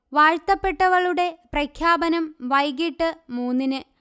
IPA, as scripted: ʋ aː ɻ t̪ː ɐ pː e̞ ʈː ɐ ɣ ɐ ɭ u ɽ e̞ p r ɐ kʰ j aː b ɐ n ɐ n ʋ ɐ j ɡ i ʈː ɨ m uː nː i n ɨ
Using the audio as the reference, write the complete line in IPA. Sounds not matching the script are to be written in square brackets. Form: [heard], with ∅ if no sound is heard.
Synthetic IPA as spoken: ʋ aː ɻ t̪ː ɐ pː e̞ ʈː ɐ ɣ ɐ ɭ u ɽ e̞ p r ɐ kʰ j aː b ɐ n ɐ [m] ʋ ɐ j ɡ i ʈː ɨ m uː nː i n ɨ

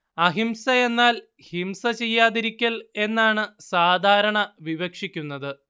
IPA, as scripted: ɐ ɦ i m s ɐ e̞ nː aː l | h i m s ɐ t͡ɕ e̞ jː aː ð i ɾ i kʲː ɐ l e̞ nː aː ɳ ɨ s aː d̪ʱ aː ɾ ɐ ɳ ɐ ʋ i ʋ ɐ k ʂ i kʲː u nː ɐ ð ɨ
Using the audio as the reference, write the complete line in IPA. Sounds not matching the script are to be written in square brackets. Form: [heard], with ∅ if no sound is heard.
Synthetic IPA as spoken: ɐ ɦ i m s ɐ e̞ nː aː l | h i m s ɐ t͡ɕ e̞ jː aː ð i ɾ i kʲː ɐ l e̞ nː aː ɳ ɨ s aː d̪ʱ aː ɾ ɐ ɳ ɐ ʋ i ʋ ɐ k ʂ i kʲː u nː ɐ ð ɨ

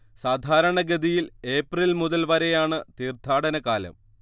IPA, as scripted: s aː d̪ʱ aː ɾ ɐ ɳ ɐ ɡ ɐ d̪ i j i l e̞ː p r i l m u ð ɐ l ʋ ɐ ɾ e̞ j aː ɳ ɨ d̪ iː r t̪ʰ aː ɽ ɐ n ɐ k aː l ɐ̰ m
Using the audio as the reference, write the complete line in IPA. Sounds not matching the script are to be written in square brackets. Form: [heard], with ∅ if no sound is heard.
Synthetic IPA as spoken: s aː d̪ʱ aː ɾ ɐ ɳ ɐ ɡ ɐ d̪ i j i l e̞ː p r i l m u ð ɐ l ʋ ɐ ɾ e̞ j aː ɳ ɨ [t̪] iː r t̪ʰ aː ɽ ɐ n ɐ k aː l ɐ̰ m

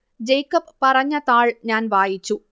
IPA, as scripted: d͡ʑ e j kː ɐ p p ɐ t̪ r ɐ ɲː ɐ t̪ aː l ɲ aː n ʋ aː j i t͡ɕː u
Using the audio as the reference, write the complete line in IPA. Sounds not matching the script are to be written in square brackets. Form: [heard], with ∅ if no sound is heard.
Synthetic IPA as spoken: d͡ʑ e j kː ɐ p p ɐ [∅] r ɐ ɲː ɐ t̪ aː [ɭ] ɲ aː n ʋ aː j i t͡ɕː u

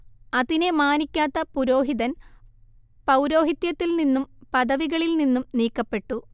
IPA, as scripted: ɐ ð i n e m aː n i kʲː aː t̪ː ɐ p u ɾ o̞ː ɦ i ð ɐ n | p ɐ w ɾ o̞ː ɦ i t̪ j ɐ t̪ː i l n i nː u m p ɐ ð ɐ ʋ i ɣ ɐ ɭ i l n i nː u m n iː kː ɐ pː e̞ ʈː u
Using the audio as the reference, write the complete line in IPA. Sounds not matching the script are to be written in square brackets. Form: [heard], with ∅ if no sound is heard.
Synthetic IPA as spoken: ɐ ð i n e m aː n i kʲː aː t̪ː ɐ p u ɾ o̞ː ɦ i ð ɐ n | p ɐ w ɾ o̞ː ɦ i t̪ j ɐ t̪ː i l n i nː u m p ɐ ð ɐ ʋ i ɣ ɐ ɭ i l n i nː u m n iː kː ɐ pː e̞ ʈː u

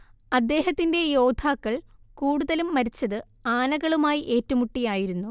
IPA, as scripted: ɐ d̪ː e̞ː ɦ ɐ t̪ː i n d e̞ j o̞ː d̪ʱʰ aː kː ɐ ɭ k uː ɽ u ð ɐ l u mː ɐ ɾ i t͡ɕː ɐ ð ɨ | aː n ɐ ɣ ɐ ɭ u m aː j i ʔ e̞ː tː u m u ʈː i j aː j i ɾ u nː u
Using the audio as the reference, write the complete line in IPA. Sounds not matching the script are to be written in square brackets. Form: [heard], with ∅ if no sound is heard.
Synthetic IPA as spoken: ɐ d̪ː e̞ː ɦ ɐ t̪ː i n d e̞ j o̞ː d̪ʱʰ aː kː ɐ ɭ k uː ɽ u ð ɐ l u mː ɐ ɾ i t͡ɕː ɐ ð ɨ | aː n ɐ ɣ ɐ ɭ u m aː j i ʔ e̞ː tː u m u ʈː i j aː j i ɾ u nː u

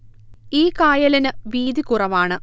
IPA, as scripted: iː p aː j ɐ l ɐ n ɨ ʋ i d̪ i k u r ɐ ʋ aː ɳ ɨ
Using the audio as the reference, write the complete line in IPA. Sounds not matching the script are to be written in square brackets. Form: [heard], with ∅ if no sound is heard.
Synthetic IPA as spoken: iː [k] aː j ɐ l ɐ n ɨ ʋ [iː] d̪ i k u r ɐ ʋ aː ɳ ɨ

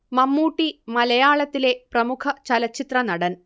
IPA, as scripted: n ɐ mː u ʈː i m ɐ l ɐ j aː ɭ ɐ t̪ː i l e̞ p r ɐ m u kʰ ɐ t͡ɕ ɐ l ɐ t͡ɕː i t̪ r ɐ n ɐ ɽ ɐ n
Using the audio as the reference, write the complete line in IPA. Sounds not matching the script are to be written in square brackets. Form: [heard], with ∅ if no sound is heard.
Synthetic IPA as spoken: [m] ɐ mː [uː] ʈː i m ɐ l ɐ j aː ɭ ɐ t̪ː i l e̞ p r ɐ m u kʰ ɐ t͡ɕ ɐ l ɐ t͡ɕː i t̪ r ɐ n ɐ ɽ ɐ n

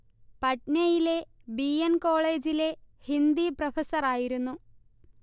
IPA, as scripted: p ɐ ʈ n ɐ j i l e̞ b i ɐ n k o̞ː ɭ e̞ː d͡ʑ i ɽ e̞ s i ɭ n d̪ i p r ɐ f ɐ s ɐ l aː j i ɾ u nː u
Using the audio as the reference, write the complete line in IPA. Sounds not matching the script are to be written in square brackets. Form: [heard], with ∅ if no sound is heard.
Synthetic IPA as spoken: p ɐ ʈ n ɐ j i l e̞ b i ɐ n k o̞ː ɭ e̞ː d͡ʑ i [l] e̞ [h] i [∅] n d̪ i p r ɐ f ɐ s ɐ [r] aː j i ɾ u nː u

